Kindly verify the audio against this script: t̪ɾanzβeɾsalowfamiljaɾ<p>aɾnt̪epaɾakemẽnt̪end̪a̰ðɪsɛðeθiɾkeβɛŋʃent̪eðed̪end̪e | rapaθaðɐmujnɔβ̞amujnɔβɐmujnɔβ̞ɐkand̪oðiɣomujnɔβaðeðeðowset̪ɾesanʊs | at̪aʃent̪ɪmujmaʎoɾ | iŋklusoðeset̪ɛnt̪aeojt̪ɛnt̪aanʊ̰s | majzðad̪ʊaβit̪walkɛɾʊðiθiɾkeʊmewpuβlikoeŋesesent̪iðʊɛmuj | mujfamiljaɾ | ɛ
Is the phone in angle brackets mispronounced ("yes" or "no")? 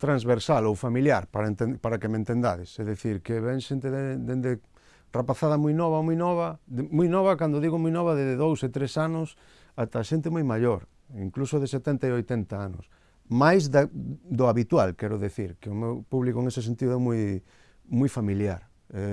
no